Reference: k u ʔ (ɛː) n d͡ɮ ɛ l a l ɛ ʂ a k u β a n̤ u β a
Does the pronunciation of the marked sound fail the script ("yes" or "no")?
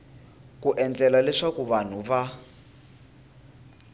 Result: yes